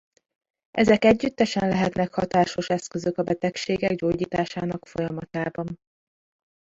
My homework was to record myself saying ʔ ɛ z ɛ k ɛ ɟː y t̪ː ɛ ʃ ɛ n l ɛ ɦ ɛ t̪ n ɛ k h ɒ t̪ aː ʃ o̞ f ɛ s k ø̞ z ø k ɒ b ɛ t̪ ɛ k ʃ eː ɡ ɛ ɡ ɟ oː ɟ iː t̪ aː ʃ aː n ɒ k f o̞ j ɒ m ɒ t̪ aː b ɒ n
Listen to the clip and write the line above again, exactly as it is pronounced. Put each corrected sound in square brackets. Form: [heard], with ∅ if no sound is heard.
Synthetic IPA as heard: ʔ ɛ z ɛ k ɛ ɟː y t̪ː ɛ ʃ ɛ n l ɛ ɦ ɛ t̪ n ɛ k h ɒ t̪ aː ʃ o̞ [ʃ] ɛ s k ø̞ z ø k ɒ b ɛ t̪ ɛ k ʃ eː ɡ ɛ ɡ ɟ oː ɟ iː t̪ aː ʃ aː n ɒ k f o̞ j ɒ m ɒ t̪ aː b ɒ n